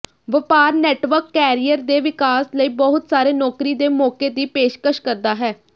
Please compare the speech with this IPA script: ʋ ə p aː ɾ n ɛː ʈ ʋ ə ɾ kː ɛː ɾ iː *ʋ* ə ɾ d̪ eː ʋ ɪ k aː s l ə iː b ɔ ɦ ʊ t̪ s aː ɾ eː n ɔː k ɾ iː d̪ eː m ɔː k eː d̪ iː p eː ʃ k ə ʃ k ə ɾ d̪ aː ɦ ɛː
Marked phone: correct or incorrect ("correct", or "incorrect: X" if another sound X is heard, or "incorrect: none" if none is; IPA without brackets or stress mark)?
incorrect: none